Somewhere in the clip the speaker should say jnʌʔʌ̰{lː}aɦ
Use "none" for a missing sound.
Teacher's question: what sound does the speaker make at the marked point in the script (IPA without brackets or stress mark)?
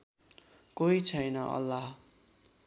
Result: lː